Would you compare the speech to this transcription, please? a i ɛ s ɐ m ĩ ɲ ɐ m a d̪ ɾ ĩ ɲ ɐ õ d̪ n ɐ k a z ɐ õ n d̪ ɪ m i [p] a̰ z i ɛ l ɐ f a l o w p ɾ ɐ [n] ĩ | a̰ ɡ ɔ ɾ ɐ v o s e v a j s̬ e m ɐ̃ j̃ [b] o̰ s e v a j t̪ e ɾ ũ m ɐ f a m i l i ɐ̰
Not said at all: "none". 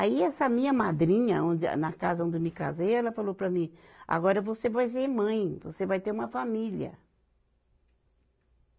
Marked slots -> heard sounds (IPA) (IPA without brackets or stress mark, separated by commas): k, m, v